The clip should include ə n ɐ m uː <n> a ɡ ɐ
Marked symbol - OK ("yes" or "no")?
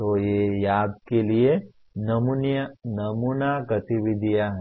yes